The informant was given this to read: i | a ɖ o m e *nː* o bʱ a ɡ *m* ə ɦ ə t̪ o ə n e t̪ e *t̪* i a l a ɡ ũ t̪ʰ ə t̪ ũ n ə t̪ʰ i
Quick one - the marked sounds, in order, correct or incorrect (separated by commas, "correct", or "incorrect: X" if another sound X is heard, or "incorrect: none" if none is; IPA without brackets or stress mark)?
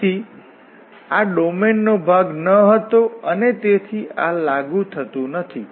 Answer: correct, incorrect: n, incorrect: t̪ʰ